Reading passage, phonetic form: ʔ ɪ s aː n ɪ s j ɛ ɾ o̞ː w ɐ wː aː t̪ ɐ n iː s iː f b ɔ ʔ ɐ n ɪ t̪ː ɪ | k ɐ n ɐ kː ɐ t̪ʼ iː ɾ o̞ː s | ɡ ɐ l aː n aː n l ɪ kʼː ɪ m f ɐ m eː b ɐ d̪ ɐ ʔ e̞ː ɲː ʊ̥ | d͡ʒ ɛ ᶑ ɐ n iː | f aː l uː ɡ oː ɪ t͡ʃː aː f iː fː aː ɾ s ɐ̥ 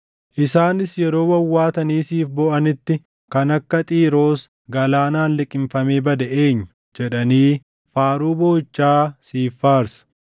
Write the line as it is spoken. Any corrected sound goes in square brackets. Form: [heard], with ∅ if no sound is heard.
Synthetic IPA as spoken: ʔ ɪ s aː n ɪ s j ɛ ɾ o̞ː w ɐ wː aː t̪ ɐ n iː s iː f b ɔ ʔ ɐ n ɪ t̪ː ɪ | k ɐ n ɐ kː ɐ t̪ʼ iː ɾ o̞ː s | ɡ ɐ l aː n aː n l ɪ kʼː ɪ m f ɐ m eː b ɐ d̪ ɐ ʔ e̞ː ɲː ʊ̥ | d͡ʒ ɛ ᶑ ɐ n iː | f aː [ɾ] uː [b] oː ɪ t͡ʃː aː [s] iː fː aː ɾ s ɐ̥